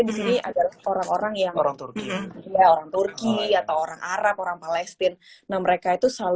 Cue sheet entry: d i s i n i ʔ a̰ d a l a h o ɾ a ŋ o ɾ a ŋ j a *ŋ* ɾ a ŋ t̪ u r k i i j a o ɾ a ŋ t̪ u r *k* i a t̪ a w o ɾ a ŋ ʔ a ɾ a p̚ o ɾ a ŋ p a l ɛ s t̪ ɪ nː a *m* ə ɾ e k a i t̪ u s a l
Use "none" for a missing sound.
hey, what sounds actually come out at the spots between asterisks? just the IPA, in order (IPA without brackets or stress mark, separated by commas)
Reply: ŋ, k, m